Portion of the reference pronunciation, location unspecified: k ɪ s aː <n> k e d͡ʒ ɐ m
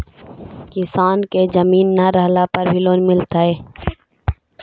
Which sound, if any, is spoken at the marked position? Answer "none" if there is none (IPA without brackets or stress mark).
n